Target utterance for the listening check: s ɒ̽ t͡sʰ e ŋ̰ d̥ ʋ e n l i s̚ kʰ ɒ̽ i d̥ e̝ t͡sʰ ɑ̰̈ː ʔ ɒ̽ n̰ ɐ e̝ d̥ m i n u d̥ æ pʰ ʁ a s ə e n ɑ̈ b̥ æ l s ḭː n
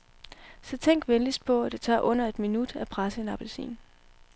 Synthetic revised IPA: s ɒ̽ t͡sʰ e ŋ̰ ɡ̥ ʋ e n l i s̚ pʰ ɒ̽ æ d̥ e̝ t͡sʰ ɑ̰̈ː ʔ ɔ̽ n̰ ɐ e̝ d̥ m i n u d̥ æ pʰ ʁ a s ə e n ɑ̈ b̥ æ l s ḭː n